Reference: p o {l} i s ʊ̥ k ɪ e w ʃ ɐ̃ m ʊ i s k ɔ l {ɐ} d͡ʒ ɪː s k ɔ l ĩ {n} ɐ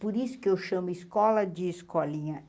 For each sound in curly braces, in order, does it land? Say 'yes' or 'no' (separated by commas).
no, yes, no